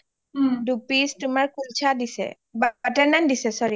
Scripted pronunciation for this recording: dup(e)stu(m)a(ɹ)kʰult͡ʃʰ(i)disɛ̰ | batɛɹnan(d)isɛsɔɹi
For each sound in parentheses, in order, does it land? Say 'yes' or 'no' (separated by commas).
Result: no, yes, yes, no, yes